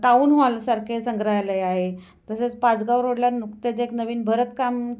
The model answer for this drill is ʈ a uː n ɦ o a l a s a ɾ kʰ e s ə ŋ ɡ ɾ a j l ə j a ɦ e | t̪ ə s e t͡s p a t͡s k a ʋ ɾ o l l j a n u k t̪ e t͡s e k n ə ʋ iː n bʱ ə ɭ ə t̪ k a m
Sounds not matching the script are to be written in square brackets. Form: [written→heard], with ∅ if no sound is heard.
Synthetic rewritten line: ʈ a uː n ɦ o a l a s a ɾ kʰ e s ə ŋ ɡ ɾ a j l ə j a ɦ e | t̪ ə s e t͡s p a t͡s [k→ɡ] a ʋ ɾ o [l→ɽ] l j a n u k t̪ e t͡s e k n ə ʋ iː n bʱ ə [ɭ→ɾ] ə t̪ k a m